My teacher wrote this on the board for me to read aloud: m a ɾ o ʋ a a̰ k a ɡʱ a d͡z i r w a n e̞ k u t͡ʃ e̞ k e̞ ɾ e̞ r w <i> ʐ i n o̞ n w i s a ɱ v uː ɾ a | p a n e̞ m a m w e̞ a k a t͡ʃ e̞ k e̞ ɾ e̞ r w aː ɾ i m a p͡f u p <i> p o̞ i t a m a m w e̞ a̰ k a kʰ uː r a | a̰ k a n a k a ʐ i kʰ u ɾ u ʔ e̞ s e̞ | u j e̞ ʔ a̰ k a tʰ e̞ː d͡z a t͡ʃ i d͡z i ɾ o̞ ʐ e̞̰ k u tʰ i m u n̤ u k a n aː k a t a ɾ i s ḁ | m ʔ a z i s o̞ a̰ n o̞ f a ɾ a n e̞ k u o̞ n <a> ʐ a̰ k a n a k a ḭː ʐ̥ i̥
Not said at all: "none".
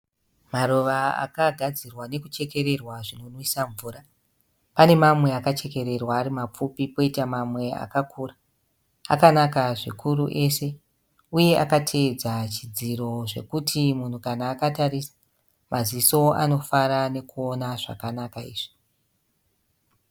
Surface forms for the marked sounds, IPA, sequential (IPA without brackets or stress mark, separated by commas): a, i, a